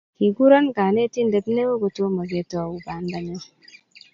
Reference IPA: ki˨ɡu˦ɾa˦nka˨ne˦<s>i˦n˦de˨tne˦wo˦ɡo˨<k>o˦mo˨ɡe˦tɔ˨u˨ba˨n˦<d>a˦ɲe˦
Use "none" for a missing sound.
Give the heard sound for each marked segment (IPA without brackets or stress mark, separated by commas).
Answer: t, t, d